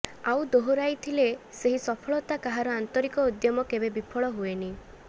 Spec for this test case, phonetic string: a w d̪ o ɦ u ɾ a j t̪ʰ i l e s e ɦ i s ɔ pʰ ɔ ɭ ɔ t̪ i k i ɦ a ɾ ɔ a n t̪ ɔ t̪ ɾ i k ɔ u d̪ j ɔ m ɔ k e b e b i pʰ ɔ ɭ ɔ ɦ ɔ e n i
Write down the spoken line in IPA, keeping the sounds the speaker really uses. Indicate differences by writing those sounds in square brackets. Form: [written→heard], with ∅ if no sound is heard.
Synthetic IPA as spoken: a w d̪ o ɦ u ɾ a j t̪ʰ i l e s e ɦ i s ɔ pʰ ɔ ɭ ɔ t̪ [i→a] k [i→a] ɦ a ɾ ɔ a n t̪ ɔ [t̪→∅] ɾ i k ɔ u d̪ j ɔ m ɔ k e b e b i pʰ ɔ ɭ ɔ ɦ [ɔ→u] e n i